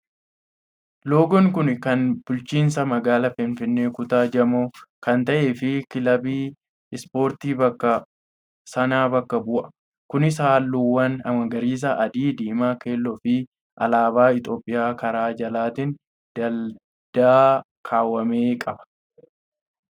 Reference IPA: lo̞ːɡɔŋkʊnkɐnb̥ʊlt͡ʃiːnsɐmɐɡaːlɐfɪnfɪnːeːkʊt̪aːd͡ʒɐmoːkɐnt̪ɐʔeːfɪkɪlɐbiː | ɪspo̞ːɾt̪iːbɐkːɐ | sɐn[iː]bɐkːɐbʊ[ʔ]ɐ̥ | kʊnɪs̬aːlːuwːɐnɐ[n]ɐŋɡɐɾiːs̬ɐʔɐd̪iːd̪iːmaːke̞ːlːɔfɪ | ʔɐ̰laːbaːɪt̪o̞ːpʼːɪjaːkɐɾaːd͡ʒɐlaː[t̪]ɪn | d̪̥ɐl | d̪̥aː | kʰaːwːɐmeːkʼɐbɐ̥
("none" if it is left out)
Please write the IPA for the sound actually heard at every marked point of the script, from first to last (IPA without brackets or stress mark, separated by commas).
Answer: aː, ʔ, m, t̪